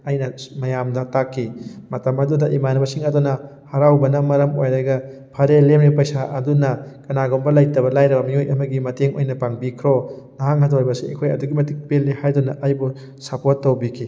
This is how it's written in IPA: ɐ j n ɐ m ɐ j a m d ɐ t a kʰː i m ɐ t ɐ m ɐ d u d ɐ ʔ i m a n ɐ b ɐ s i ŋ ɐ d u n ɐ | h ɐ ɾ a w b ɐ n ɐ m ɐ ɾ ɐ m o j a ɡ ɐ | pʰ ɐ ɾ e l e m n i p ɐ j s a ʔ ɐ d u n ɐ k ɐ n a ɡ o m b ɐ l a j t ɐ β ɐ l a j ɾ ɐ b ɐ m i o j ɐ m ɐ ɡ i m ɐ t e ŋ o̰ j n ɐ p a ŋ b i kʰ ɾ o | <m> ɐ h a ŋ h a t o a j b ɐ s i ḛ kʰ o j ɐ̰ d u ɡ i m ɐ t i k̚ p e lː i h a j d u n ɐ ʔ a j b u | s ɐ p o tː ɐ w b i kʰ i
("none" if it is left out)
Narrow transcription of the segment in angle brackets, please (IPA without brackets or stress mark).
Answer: n